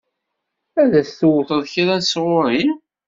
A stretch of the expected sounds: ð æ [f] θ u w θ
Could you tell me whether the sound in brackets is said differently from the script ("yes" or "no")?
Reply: yes